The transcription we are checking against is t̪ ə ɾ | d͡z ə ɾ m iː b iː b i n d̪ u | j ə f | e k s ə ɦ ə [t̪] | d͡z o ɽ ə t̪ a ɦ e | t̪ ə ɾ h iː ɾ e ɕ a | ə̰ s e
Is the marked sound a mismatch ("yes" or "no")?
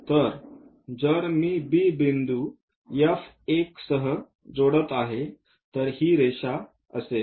yes